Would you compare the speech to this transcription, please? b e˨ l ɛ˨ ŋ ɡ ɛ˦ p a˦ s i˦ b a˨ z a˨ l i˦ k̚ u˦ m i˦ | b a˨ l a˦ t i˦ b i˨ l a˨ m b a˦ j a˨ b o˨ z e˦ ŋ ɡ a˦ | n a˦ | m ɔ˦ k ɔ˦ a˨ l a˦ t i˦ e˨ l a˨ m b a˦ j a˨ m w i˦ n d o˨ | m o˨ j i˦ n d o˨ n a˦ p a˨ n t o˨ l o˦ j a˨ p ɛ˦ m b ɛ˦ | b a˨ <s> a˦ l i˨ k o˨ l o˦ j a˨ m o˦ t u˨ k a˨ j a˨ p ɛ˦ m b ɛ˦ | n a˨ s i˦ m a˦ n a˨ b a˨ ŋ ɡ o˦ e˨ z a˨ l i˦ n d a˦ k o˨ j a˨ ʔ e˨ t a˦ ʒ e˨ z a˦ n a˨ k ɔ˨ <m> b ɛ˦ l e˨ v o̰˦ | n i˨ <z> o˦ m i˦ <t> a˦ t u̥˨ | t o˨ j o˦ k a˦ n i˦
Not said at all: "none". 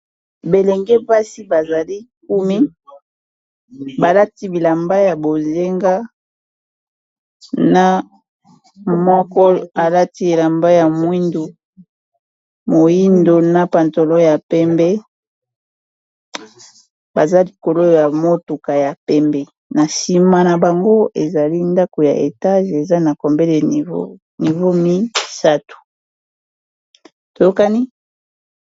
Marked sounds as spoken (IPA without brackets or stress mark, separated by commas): z, m, v, s